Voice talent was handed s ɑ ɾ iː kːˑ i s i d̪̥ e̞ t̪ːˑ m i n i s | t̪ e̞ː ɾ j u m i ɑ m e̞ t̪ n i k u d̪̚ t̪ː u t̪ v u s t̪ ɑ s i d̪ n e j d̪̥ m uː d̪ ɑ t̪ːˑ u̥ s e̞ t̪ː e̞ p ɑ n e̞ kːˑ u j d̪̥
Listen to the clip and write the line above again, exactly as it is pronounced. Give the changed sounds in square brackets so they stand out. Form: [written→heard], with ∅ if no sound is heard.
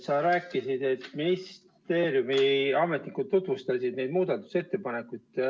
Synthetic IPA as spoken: s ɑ ɾ [iː→æː] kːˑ i s i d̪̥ e̞ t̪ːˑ m i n i s | t̪ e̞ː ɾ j u m i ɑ m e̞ t̪ n i k u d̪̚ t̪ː u t̪ v u s t̪ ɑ s i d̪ n e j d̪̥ m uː d̪ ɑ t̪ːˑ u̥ s e̞ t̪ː e̞ p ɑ n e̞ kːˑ u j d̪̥